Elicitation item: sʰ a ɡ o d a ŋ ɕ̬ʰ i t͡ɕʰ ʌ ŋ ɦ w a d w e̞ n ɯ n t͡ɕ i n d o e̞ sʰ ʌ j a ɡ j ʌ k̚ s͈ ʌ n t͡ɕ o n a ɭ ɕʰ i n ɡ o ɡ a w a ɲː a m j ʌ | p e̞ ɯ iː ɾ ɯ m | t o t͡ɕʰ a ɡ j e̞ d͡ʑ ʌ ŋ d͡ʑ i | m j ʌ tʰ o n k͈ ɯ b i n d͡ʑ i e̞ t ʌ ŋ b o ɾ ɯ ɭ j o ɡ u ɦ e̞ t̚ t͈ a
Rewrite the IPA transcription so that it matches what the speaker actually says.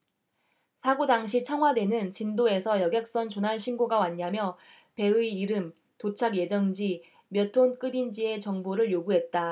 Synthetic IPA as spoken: sʰ a ɡ o d a ŋ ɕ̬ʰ i t͡ɕʰ ʌ ŋ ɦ w a d w e̞ n ɯ n t͡ɕ i n d o e̞ sʰ ʌ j ʌ ɡ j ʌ k̚ s͈ ʌ n t͡ɕ o n a ɭ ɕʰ i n ɡ o ɡ a w a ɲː a m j ʌ | p e̞ ɯ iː ɾ ɯ m | t o t͡ɕʰ a ɡ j e̞ d͡ʑ ʌ ŋ d͡ʑ i | m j ʌ tʰ o n k͈ ɯ b i n d͡ʑ i e̞ t͡ɕ ʌ ŋ b o ɾ ɯ ɭ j o ɡ u ɦ e̞ t̚ t͈ a